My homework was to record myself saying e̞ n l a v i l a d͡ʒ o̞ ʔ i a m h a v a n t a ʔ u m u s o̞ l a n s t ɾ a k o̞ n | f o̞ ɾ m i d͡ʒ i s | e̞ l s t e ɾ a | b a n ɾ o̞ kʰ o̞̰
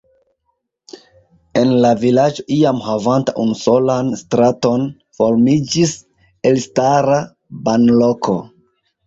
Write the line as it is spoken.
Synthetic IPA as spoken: e̞ n l a v i l a d͡ʒ o̞ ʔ i a m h a v a n t a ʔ u n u s o̞ l a n s t ɾ a t o̞ n | f o̞ ɾ m i d͡ʒ i s | e̞ l s t a ɾ a | b a n l o̞ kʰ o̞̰

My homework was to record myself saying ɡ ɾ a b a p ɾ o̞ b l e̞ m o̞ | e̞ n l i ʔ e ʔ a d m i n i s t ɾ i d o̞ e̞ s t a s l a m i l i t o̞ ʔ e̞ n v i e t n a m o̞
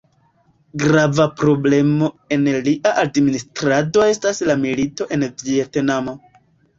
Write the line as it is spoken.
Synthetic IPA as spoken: ɡ ɾ a v a p ɾ o̞ b l e̞ m o̞ | e̞ n l i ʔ a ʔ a d m i n i s t ɾ a d o̞ e̞ s t a s l a m i l i t o̞ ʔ e̞ n v i e t n a m o̞

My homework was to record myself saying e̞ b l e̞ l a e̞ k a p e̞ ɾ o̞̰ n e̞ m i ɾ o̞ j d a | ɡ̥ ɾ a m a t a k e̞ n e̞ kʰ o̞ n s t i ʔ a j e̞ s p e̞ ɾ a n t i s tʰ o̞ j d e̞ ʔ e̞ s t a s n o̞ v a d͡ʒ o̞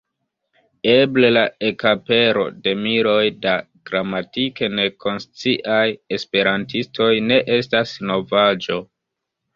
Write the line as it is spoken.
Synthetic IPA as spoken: e̞ b l e̞ l a e̞ k a p e̞ ɾ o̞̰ d e̞ m i ɾ o̞ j d a | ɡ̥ ɾ a m a t i k e̞ n e̞ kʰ o̞ n s t͡s i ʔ a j e̞ s p e̞ ɾ a n t i s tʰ o̞ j n e̞ ʔ e̞ s t a s n o̞ v a d͡ʒ o̞

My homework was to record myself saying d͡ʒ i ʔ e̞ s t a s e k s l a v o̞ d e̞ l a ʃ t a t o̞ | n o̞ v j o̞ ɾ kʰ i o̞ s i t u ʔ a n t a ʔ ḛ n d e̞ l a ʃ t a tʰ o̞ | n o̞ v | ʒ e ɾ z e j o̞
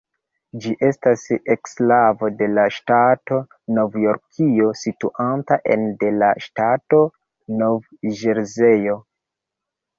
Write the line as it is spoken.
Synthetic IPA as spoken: d͡ʒ i ʔ e̞ s t a s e k s l a v o̞ d e̞ l a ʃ t a t o̞ | n o̞ v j o̞ ɾ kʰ i o̞ s i t u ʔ a n t a ʔ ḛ n d e̞ l a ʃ t a t o̞ | n o̞ v | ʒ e ɾ z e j o̞

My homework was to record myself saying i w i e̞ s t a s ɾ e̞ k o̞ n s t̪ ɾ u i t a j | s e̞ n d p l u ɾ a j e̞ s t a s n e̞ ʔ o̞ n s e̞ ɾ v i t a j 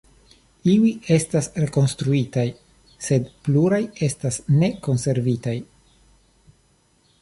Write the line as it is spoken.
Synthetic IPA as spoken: i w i e̞ s t a s ɾ e̞ k o̞ n s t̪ ɾ u i t a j | s e̞ d p l u ɾ a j e̞ s t a s n e̞ k o̞ n s e̞ ɾ v i t a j

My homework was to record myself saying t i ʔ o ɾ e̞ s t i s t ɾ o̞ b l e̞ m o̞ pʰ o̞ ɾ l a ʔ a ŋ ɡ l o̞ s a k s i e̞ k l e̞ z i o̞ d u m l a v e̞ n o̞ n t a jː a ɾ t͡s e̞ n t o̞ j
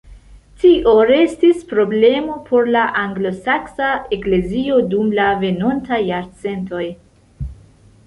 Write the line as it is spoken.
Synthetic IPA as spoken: t i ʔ o ɾ e̞ s t i s p ɾ o̞ b l e̞ m o̞ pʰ o̞ ɾ l a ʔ a ŋ ɡ l o̞ s a k s a e̞ k l e̞ z i o̞ d u m l a v e̞ n o̞ n t a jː a ɾ t͡s e̞ n t o̞ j

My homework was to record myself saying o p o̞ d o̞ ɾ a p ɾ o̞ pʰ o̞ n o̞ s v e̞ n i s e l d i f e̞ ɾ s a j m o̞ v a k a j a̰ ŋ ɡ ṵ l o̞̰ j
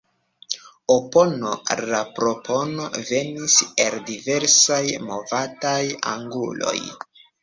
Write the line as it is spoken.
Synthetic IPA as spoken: o p o̞ n o̞ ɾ a p ɾ o̞ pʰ o̞ n o̞ v e̞ n i s e l d i v e̞ ɾ s a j m o̞ v a t a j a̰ ŋ ɡ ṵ l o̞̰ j

